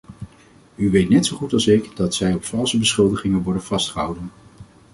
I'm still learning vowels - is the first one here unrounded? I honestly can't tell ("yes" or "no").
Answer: no